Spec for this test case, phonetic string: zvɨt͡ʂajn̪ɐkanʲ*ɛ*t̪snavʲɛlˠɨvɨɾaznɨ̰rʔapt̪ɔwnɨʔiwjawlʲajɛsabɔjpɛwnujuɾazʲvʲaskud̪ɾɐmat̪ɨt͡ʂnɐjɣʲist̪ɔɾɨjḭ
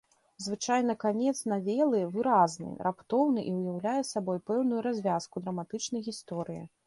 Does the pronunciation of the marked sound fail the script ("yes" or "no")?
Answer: no